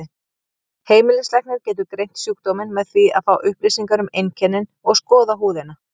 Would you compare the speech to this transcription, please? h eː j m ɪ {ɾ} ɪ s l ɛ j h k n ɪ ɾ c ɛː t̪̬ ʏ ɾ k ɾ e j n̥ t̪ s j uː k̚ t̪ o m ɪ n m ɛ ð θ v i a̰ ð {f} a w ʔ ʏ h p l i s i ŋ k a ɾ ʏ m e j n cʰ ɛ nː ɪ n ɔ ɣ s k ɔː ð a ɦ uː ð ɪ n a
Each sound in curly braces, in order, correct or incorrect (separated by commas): incorrect, correct